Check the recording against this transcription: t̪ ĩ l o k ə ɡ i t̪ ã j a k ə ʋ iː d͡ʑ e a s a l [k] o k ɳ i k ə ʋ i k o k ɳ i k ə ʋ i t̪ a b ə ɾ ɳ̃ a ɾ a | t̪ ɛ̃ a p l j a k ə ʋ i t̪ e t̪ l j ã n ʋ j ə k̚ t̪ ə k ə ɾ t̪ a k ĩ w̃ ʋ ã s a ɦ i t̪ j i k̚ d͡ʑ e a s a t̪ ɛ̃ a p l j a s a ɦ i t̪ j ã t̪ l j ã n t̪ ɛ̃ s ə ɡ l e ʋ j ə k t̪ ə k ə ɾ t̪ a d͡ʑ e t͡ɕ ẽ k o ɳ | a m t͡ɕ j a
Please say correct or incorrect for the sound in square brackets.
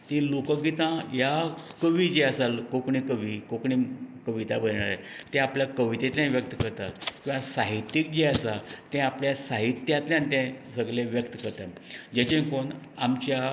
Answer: correct